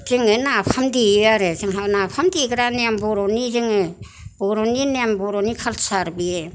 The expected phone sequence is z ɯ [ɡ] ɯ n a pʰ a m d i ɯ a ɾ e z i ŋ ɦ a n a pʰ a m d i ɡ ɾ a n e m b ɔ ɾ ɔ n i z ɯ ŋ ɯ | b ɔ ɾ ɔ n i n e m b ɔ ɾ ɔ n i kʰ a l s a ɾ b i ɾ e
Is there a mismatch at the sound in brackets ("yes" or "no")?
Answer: yes